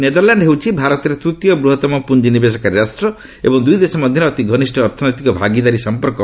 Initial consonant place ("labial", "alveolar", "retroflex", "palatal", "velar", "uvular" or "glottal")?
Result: alveolar